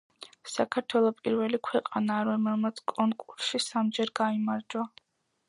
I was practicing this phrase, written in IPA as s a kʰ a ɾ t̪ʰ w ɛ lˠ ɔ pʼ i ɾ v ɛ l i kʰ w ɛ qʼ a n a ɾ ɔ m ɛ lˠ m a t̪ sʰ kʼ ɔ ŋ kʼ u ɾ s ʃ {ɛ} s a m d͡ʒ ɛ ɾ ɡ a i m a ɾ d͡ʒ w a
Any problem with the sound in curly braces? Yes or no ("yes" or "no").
yes